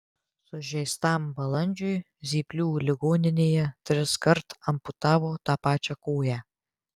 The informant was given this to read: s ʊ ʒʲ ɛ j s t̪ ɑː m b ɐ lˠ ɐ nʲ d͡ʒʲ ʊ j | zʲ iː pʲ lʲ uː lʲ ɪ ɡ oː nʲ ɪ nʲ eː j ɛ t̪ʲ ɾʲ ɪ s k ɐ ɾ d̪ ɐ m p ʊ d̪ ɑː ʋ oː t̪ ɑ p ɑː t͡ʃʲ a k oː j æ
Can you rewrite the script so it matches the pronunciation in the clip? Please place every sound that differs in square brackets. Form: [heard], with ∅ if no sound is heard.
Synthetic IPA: s ʊ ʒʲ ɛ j s t̪ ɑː m b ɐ lˠ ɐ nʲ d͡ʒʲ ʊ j | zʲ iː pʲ lʲ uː lʲ ɪ ɡ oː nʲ ɪ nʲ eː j ɛ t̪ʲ ɾʲ ɪ s k ɐ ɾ [t̪] ɐ m p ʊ [t̪] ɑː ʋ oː t̪ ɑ p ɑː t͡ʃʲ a k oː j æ